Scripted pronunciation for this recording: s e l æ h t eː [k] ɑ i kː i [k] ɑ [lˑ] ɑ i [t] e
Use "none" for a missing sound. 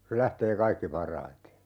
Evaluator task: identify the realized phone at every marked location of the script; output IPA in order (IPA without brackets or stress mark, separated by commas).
k, p, rˑ, t